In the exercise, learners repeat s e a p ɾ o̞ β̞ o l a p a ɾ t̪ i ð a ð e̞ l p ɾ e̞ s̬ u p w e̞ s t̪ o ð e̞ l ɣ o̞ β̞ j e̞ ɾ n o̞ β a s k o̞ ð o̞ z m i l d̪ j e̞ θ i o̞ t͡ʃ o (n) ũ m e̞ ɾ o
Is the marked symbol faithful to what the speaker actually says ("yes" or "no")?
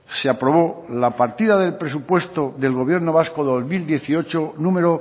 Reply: yes